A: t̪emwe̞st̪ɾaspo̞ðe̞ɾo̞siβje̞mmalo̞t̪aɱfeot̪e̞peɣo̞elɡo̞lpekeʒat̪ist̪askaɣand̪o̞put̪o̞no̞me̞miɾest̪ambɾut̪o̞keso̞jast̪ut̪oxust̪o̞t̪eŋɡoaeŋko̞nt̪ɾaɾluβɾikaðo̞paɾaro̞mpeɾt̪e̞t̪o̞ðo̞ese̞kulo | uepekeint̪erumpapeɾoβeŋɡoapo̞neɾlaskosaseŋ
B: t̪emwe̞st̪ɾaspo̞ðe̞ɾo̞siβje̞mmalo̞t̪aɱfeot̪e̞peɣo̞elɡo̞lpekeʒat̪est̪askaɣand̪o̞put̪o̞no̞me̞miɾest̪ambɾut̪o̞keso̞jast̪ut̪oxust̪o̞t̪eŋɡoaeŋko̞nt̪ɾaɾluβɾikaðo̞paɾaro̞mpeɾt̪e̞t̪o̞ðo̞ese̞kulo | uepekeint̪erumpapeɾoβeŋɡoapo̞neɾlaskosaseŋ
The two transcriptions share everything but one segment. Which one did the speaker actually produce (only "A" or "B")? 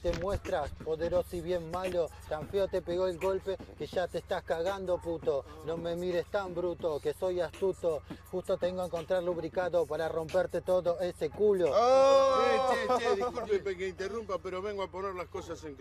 B